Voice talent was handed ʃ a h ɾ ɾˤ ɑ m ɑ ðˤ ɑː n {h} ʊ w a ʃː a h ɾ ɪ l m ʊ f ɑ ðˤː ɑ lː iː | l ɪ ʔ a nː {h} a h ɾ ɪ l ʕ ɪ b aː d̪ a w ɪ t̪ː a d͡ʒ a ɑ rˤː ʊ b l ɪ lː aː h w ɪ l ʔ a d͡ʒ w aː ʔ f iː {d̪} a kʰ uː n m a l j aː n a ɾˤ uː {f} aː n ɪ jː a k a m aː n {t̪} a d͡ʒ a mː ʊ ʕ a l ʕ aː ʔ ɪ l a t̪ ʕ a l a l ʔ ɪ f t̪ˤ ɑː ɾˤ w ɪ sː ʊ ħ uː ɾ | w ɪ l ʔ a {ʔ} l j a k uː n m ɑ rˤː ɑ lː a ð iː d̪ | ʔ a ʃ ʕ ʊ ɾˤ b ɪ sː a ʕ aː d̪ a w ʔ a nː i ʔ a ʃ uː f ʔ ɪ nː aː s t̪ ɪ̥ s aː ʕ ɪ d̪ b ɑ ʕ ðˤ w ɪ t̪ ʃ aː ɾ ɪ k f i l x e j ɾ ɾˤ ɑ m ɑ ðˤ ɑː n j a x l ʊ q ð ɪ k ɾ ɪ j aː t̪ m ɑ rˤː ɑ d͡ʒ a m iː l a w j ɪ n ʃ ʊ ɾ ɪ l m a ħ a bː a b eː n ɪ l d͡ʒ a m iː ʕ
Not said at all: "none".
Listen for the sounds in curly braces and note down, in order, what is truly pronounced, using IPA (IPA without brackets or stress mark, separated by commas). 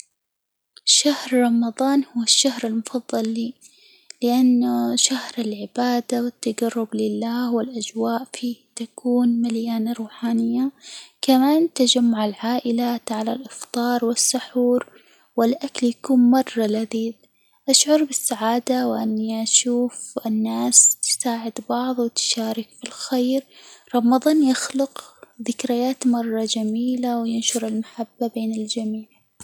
h, ʃ, t̪, ħ, t̪, k